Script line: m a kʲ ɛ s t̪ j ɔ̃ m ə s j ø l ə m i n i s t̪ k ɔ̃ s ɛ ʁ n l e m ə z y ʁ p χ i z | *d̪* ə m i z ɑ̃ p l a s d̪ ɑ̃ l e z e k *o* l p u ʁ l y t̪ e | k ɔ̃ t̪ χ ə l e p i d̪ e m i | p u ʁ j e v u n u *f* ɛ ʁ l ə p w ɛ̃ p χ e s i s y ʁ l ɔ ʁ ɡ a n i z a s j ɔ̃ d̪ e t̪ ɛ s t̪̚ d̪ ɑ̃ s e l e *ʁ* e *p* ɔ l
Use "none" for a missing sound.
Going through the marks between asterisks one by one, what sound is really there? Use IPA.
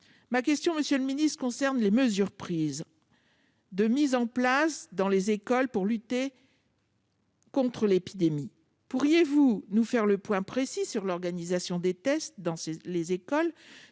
d̪, ɔ, f, z, k

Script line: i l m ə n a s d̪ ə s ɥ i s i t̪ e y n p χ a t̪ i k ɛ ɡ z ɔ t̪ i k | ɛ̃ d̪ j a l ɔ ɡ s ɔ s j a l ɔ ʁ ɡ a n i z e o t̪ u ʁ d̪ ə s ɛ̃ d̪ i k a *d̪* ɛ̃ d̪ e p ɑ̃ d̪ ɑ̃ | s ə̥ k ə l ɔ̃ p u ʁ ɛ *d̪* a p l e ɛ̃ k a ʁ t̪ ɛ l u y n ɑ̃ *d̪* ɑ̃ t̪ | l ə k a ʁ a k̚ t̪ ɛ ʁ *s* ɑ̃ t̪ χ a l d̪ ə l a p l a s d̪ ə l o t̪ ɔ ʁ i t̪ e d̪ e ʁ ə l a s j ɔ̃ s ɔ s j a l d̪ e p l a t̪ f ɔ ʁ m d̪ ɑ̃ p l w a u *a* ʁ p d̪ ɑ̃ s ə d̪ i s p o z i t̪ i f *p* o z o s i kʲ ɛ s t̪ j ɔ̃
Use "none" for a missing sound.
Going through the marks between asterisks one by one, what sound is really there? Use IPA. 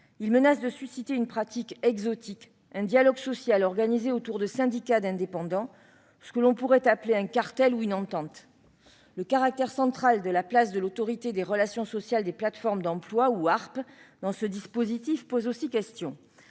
d̪, t̪, t̪, s, a, p

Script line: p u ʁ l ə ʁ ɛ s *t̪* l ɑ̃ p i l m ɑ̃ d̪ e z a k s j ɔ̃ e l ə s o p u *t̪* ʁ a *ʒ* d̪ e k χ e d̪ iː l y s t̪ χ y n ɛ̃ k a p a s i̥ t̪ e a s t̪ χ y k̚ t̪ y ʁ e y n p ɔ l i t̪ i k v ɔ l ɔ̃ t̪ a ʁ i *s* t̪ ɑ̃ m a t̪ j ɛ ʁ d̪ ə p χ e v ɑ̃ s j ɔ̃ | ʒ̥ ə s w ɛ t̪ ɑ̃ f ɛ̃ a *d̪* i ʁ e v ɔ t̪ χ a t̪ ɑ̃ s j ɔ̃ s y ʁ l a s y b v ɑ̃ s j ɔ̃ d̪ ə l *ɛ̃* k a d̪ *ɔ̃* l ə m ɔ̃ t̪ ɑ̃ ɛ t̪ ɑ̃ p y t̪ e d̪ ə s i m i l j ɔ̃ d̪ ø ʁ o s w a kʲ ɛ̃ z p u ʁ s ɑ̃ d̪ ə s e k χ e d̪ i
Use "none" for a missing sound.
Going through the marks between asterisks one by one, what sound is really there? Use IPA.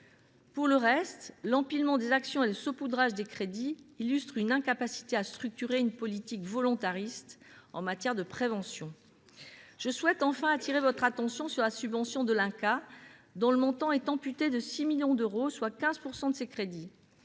t̪, d̪, ʒ, s, t̪, ɛ̃, ɔ̃

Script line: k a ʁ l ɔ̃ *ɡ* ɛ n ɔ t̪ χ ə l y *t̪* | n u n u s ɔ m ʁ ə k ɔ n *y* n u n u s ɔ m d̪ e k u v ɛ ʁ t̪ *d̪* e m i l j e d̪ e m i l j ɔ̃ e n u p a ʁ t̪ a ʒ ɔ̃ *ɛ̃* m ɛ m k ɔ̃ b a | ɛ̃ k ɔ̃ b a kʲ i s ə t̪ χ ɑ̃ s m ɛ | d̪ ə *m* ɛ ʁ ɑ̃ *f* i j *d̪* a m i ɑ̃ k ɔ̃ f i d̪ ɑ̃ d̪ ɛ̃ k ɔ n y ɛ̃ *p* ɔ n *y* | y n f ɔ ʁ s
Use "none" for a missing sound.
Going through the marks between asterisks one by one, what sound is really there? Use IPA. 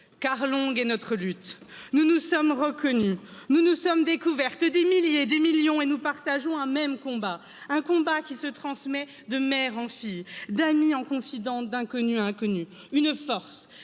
ɡ, t̪, y, d̪, ɛ̃, m, f, d̪, k, y

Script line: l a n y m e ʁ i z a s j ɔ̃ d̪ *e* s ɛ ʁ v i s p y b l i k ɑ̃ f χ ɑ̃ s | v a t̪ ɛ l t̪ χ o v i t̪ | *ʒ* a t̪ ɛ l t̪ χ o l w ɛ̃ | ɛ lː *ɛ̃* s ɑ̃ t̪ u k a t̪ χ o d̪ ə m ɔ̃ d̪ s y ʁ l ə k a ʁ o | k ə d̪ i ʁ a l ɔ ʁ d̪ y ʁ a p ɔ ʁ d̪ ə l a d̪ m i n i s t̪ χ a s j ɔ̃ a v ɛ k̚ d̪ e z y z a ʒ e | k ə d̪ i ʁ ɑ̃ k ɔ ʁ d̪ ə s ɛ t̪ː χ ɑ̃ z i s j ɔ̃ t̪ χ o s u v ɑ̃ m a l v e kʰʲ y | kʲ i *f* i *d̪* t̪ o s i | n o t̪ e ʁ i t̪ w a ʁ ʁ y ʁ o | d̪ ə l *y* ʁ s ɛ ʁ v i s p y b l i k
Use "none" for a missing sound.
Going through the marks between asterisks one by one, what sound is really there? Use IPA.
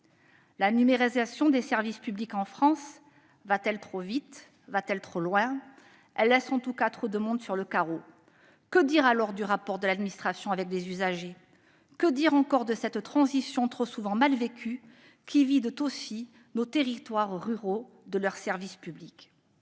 e, v, ɛ, v, d̪, œ

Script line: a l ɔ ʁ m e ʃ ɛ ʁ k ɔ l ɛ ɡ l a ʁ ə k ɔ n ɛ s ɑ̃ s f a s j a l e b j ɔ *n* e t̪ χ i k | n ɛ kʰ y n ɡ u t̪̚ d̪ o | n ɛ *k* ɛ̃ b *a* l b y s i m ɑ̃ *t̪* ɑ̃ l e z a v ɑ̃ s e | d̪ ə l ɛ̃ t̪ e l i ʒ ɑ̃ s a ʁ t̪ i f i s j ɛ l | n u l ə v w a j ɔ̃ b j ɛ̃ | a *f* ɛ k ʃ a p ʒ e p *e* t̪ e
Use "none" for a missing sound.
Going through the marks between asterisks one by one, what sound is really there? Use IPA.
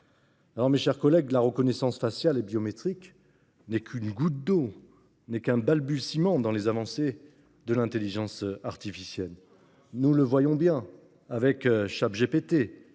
m, k, a, d̪, v, e

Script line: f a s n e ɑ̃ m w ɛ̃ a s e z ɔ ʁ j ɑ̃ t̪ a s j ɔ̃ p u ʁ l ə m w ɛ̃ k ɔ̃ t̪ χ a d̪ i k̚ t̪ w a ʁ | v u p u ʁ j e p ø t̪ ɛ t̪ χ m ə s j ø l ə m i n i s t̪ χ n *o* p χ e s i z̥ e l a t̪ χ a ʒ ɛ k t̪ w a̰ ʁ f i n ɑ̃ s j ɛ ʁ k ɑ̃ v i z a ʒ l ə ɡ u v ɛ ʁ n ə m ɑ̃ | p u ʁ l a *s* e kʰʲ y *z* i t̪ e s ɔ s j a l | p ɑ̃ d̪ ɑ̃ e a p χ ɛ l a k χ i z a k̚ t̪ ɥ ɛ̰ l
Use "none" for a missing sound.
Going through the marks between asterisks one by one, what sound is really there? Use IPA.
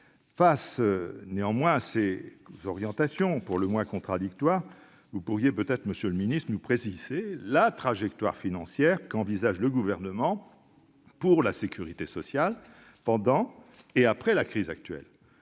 u, s, ʁ

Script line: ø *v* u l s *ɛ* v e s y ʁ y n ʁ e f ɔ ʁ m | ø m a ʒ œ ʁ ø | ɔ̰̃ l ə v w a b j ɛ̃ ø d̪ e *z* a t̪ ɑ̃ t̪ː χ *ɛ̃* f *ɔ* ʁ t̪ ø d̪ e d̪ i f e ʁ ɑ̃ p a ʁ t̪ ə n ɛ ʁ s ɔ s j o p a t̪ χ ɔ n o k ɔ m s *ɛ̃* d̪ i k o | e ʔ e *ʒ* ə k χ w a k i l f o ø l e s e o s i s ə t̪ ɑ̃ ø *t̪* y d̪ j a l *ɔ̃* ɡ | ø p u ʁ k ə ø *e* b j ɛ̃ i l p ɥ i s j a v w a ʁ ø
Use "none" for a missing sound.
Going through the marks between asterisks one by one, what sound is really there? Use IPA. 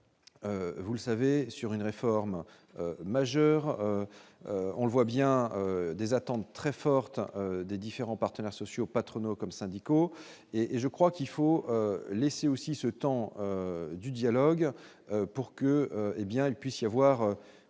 v, a, z, ɛ, ɔ, ɛ̃, ʒ, d̪, ɔ, e

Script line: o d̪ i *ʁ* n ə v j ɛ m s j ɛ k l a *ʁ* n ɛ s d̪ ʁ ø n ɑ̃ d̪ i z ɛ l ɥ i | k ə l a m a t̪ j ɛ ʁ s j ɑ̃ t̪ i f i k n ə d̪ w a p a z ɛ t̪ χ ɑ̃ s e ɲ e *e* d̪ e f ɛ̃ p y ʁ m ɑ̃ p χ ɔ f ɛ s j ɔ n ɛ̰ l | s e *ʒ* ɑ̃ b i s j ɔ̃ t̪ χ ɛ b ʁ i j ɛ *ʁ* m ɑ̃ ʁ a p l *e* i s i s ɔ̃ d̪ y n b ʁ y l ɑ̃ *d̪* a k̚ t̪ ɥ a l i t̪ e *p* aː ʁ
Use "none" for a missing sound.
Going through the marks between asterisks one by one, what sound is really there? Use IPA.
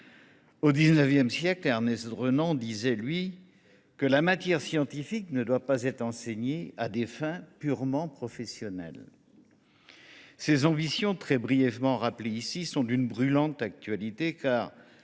z, ʁ, a, z, v, e, t̪, k

